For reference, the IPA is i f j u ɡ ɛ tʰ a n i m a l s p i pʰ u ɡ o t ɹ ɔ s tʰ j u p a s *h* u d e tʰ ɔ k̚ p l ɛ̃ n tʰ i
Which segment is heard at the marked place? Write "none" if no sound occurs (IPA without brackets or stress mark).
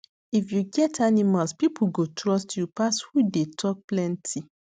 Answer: h